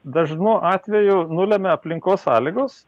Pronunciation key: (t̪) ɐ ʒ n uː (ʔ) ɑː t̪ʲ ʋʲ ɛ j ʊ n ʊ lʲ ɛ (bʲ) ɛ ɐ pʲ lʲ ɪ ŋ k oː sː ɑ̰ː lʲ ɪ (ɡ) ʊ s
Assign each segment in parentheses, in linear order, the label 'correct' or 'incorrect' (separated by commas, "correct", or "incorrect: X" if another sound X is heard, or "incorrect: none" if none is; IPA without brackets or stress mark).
incorrect: d̪, correct, incorrect: mʲ, correct